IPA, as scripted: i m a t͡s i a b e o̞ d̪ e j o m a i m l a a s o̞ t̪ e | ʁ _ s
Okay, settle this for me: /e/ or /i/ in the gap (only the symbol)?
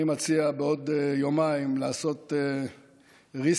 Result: i